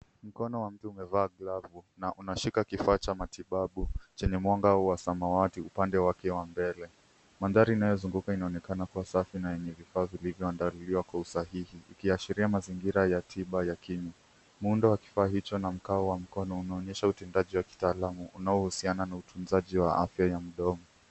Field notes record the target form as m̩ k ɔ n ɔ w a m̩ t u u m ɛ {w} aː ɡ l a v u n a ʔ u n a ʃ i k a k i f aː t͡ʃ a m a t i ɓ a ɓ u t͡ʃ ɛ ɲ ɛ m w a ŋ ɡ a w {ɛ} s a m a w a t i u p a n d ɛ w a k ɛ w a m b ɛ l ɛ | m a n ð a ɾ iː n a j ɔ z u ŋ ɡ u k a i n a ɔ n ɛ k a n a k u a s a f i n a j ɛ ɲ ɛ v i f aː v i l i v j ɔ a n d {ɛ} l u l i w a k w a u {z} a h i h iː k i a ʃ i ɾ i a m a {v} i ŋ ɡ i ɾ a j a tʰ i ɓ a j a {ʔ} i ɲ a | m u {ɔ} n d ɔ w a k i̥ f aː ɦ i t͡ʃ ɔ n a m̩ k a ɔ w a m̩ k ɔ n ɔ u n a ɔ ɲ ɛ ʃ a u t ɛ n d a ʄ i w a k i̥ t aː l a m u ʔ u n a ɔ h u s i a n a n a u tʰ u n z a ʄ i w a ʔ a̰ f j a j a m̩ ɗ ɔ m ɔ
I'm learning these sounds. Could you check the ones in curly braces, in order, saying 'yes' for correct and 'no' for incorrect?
no, no, no, no, no, no, no

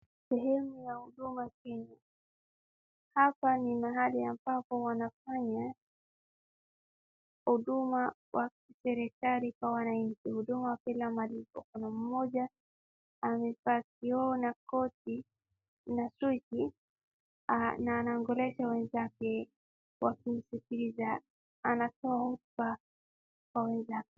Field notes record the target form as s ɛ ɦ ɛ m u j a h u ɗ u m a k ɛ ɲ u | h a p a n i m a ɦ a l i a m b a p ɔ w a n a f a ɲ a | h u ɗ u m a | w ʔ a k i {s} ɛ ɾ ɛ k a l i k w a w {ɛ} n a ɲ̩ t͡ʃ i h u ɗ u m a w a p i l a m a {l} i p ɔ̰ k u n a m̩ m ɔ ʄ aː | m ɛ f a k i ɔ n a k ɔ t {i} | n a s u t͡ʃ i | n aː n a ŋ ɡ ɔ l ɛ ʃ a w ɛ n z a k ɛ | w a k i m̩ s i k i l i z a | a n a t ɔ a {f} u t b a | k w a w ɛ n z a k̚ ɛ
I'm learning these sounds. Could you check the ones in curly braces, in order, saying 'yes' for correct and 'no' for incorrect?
yes, no, yes, yes, no

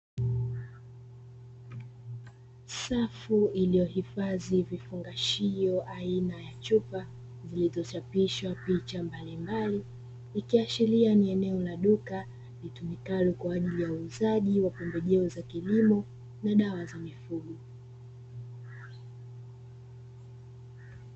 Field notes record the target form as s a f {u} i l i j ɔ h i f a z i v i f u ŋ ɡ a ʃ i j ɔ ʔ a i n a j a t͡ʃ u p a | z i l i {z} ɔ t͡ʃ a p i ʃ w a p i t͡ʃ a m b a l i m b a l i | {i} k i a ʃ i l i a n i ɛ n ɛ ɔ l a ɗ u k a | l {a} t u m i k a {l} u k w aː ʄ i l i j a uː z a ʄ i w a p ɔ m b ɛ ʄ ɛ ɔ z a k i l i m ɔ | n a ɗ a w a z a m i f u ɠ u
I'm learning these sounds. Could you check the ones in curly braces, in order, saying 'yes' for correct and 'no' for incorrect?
yes, yes, yes, no, yes

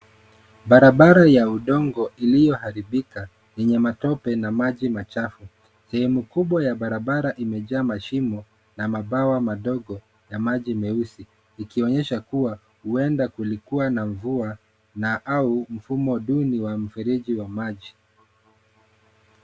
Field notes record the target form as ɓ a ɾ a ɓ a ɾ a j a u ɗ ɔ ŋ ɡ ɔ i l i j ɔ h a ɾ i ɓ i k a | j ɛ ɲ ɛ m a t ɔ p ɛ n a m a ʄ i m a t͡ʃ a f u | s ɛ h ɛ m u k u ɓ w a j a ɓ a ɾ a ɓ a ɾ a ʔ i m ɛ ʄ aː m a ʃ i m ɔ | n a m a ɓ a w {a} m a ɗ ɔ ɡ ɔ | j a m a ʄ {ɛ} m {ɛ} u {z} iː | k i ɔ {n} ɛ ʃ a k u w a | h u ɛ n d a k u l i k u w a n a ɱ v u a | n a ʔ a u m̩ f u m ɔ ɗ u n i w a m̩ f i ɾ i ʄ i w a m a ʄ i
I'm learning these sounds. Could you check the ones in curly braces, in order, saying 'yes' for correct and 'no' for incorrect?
yes, no, yes, no, no

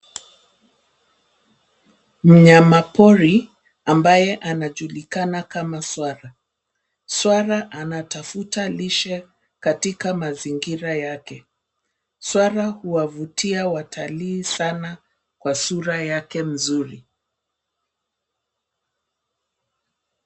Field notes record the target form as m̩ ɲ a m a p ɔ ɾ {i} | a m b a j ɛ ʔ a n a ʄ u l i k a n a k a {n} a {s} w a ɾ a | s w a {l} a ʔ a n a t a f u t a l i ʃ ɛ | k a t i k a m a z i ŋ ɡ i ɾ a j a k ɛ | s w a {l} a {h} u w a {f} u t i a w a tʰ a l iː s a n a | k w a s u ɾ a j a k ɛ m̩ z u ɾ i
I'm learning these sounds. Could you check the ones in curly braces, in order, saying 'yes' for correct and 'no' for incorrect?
yes, no, yes, no, no, yes, no

